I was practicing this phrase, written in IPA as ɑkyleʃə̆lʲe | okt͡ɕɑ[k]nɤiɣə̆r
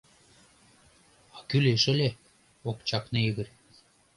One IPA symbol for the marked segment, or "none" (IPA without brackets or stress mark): k